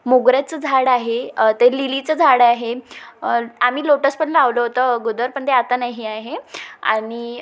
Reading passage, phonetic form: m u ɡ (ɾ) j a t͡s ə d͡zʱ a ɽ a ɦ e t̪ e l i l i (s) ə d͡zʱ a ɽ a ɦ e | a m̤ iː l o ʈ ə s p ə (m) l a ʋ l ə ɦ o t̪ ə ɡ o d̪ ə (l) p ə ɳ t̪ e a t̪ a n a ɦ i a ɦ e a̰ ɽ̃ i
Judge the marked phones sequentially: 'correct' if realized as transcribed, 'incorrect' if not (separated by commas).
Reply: correct, incorrect, incorrect, incorrect